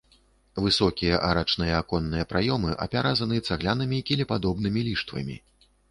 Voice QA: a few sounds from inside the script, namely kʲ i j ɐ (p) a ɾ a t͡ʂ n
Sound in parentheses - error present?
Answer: yes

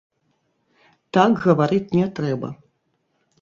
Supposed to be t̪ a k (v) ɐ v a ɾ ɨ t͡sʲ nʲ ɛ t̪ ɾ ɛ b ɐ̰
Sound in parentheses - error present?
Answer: yes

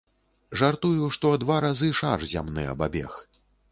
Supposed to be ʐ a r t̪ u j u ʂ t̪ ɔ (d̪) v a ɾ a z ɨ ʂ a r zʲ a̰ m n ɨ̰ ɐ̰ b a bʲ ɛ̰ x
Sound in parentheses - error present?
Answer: no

